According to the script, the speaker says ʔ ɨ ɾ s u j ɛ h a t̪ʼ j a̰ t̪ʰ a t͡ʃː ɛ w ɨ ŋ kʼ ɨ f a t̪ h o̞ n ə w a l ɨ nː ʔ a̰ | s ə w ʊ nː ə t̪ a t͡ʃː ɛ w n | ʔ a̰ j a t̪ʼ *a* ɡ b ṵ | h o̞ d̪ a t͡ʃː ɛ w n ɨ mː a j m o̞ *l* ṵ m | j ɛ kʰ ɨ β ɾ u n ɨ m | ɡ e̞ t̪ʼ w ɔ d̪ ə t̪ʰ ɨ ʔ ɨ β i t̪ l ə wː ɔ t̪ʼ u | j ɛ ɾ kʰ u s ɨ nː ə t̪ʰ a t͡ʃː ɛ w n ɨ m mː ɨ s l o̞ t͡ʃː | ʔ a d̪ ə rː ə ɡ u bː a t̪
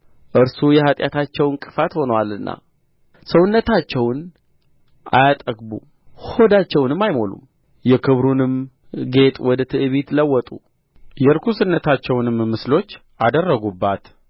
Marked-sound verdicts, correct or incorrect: incorrect: ə, correct

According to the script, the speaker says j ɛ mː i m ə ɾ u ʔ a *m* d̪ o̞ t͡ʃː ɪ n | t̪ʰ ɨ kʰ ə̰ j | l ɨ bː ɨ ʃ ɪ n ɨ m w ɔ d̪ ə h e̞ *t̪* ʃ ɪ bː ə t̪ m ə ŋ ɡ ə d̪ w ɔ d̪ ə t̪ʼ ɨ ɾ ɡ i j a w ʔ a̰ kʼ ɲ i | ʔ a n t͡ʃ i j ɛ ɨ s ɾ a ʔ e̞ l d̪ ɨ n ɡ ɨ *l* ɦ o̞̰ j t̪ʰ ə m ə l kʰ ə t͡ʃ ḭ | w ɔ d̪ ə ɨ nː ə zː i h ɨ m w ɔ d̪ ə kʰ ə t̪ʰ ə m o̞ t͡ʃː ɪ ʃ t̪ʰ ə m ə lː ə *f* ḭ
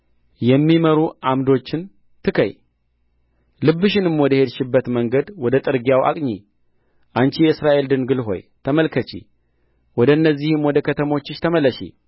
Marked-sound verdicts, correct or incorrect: correct, incorrect: d̪, correct, incorrect: ʃ

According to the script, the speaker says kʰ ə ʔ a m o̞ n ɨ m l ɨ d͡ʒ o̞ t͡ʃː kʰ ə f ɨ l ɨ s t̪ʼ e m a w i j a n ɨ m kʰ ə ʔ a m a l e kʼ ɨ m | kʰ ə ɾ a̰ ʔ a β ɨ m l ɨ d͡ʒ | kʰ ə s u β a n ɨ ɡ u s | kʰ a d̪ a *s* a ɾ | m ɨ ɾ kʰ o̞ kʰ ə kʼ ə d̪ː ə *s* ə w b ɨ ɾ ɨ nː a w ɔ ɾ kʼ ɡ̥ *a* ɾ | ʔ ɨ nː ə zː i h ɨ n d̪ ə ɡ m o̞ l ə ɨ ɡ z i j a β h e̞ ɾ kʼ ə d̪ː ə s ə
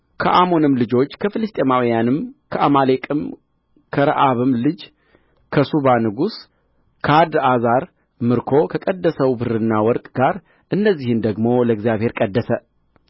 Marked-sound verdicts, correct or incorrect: incorrect: z, correct, correct

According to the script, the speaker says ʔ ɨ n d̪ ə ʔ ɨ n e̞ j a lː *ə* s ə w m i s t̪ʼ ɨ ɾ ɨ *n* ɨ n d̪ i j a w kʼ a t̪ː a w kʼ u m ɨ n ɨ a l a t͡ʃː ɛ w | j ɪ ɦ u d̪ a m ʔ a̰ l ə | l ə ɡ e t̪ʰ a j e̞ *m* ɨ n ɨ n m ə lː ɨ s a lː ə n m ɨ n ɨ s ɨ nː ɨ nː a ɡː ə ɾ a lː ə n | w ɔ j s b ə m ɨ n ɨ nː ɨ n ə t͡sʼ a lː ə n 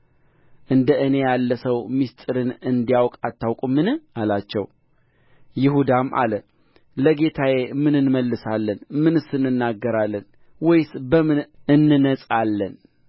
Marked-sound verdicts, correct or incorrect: correct, correct, correct

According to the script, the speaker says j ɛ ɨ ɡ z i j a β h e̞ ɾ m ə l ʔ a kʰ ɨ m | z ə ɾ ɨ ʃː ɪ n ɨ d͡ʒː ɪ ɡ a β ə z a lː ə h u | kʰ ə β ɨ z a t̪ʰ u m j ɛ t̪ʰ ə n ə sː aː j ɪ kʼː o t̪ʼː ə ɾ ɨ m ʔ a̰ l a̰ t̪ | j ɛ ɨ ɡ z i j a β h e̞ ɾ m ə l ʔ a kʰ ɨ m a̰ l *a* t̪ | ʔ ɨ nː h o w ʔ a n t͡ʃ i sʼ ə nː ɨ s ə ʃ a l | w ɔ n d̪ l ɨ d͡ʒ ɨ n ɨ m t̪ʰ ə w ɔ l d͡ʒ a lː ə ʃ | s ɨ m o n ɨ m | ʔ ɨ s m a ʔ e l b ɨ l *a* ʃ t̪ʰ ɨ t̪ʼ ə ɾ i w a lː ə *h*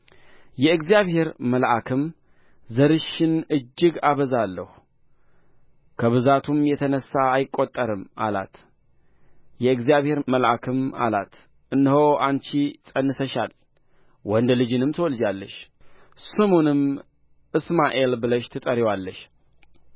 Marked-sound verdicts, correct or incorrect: correct, incorrect: ə, incorrect: ʃ

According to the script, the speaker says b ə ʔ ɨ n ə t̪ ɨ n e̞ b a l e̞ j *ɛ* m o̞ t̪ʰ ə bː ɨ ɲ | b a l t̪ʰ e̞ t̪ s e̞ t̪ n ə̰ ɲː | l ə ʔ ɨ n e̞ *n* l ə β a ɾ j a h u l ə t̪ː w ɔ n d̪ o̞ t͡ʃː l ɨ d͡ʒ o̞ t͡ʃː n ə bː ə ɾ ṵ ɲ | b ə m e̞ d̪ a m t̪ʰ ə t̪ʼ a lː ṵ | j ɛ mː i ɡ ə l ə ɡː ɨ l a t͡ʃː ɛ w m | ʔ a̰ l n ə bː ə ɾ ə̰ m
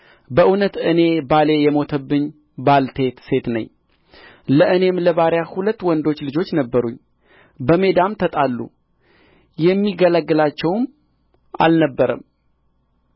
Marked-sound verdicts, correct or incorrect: correct, incorrect: m

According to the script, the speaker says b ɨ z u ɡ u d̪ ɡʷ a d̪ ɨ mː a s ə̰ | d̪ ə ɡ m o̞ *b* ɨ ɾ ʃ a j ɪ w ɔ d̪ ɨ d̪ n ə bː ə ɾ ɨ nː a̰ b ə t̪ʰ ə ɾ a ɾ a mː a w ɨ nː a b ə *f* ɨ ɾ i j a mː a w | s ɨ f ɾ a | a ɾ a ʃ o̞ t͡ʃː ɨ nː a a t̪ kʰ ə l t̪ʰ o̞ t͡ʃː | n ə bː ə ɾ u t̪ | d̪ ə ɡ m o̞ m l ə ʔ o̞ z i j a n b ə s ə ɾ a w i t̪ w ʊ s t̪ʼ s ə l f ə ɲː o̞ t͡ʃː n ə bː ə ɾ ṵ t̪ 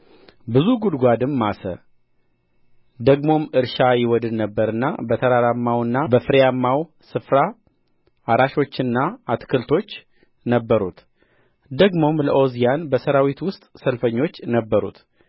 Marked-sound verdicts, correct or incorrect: incorrect: m, correct

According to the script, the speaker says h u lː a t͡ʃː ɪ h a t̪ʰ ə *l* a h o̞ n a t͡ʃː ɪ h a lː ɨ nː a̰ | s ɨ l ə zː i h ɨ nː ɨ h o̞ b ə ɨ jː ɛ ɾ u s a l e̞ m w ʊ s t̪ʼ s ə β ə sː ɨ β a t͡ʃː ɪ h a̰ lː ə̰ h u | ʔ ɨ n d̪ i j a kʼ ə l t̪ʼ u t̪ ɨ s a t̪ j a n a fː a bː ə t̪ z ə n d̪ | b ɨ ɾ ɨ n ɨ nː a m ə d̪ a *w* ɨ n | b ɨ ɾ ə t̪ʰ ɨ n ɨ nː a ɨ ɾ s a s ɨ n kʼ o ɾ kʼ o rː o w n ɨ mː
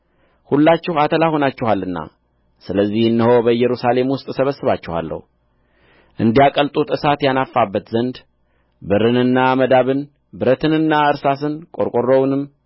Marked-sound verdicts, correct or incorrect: correct, incorrect: β

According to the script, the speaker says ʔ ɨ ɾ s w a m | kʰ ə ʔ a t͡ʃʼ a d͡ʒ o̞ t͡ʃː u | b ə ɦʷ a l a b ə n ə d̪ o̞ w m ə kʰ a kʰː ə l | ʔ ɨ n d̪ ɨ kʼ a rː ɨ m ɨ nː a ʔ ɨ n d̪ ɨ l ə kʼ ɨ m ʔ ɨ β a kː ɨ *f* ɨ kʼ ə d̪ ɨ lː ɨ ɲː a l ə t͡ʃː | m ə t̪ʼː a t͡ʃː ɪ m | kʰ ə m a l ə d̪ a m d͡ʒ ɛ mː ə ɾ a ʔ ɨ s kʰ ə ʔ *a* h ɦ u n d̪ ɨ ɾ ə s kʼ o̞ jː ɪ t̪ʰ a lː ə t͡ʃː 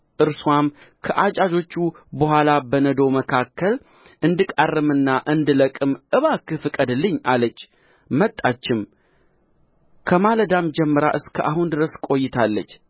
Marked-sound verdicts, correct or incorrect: correct, correct

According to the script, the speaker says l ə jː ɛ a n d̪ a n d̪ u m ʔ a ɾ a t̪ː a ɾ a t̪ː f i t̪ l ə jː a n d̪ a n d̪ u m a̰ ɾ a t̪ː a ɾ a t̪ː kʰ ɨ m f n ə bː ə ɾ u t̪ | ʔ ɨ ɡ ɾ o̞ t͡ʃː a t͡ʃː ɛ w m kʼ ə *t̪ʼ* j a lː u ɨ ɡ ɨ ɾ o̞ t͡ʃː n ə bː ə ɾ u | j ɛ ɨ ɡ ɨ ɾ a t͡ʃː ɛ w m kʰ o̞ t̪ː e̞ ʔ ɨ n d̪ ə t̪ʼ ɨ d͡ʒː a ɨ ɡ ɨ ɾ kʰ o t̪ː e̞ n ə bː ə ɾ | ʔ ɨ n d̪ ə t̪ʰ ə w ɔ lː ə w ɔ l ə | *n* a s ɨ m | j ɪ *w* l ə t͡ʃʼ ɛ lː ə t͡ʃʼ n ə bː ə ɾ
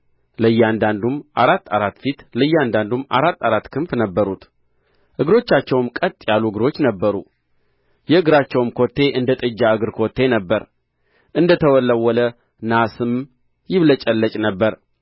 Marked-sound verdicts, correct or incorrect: correct, correct, incorrect: β

